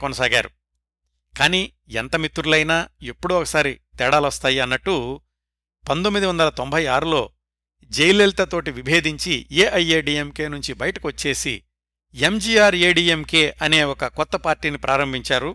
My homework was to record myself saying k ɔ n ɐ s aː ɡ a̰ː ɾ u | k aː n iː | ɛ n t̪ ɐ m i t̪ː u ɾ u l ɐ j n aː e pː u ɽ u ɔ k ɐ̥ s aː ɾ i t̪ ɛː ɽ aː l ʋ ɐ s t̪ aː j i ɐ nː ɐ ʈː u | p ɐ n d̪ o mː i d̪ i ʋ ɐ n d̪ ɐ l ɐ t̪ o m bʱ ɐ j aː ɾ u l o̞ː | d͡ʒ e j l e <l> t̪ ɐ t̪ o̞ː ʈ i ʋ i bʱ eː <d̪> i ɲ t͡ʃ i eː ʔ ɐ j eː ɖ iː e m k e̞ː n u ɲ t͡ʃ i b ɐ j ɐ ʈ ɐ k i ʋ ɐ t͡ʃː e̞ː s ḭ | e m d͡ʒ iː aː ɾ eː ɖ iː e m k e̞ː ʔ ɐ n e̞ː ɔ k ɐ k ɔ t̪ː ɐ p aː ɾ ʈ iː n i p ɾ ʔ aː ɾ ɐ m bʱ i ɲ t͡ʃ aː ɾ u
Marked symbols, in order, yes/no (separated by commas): yes, yes